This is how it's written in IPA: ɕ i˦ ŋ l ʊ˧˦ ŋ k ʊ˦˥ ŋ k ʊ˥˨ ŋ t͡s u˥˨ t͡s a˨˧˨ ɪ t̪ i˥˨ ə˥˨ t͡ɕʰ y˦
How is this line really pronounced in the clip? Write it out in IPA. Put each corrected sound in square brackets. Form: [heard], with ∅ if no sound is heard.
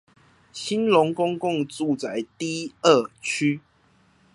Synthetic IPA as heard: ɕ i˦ [n] l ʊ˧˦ ŋ k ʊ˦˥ ŋ k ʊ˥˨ ŋ t͡s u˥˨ t͡s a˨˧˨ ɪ t̪ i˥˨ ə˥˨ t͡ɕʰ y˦

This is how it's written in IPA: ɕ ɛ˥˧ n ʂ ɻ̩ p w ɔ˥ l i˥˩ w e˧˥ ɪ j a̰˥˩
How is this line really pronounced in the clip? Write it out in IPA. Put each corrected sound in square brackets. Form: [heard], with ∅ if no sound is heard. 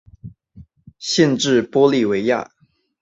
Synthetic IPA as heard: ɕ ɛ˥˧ n [ʈ͡ʂ] ɻ̩ p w ɔ˥ l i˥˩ w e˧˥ ɪ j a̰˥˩

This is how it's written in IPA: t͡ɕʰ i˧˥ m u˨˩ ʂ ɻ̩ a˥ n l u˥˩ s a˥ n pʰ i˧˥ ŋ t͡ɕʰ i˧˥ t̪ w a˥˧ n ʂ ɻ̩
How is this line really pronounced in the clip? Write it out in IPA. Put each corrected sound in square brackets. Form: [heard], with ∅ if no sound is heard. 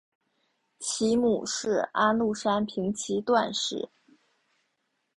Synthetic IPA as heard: t͡ɕʰ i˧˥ m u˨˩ ʂ ɻ̩ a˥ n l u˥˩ [ʂ] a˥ n pʰ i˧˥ ŋ t͡ɕʰ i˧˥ t̪ w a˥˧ n ʂ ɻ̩

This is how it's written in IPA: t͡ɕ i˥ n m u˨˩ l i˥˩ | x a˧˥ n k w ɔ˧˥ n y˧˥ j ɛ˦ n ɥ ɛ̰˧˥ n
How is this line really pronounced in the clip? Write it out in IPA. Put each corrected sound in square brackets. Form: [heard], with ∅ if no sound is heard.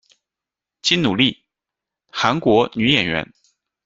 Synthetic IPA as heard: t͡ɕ i˥ n [n] u˨˩ l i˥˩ | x a˧˥ n k w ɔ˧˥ n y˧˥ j [ɛ˨˩] n ɥ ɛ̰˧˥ n

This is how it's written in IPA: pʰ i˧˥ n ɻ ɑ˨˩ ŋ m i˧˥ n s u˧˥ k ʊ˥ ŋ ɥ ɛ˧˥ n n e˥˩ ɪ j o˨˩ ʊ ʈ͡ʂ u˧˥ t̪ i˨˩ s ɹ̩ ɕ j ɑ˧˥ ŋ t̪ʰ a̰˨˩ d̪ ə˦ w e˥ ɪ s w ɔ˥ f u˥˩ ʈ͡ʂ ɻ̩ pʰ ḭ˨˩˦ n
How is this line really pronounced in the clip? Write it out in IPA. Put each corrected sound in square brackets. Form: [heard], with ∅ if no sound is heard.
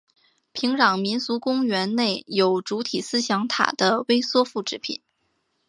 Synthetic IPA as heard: pʰ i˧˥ [ŋ] ɻ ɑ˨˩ ŋ m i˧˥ n s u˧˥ k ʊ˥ ŋ ɥ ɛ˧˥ n n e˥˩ ɪ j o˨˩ ʊ ʈ͡ʂ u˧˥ [t̪ʰ] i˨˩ s ɹ̩ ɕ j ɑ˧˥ ŋ t̪ʰ a̰˨˩ d̪ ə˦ w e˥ ɪ s w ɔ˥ f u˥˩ ʈ͡ʂ ɻ̩ pʰ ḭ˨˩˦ n

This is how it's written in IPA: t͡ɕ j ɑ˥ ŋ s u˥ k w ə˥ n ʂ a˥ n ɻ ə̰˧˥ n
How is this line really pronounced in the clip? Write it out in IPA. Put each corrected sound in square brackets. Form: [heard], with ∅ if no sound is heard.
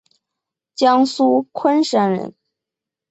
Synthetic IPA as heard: t͡ɕ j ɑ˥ ŋ s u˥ [kʰ] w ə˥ n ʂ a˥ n ɻ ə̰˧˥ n

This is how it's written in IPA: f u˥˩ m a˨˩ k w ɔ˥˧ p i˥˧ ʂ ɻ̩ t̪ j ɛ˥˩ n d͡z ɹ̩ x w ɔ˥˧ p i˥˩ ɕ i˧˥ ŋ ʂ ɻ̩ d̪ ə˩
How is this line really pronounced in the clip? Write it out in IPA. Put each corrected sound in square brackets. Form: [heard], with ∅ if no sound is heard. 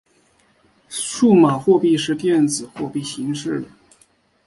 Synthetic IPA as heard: [ʂ] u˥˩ m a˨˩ [x] w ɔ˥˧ p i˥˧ ʂ ɻ̩ t̪ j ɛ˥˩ n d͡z ɹ̩ x w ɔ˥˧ p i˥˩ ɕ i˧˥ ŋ ʂ ɻ̩ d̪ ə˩

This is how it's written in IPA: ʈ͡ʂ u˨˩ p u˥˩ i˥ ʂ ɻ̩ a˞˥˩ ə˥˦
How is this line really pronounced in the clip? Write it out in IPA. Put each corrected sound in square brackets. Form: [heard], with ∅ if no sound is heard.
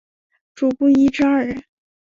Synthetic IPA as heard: ʈ͡ʂ u˨˩ p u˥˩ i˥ [ʈ͡ʂ] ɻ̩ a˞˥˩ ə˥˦

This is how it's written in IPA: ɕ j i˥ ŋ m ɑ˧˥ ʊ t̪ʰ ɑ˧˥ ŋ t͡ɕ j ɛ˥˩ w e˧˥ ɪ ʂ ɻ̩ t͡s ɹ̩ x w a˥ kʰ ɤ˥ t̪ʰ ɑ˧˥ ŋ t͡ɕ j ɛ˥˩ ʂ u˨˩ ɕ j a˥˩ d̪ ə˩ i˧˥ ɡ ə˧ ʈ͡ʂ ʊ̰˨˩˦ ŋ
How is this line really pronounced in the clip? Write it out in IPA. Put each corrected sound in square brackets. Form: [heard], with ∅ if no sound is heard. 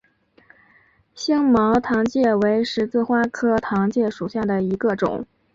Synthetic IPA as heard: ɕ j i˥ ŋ m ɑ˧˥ ʊ t̪ʰ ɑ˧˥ ŋ t͡ɕ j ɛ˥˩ w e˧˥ ɪ ʂ ɻ̩ t͡s ɹ̩ x w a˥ kʰ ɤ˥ t̪ʰ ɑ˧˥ ŋ t͡ɕ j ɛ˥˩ ʂ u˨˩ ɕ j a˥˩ d̪ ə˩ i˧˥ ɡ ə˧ ʈ͡ʂ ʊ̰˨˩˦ ŋ

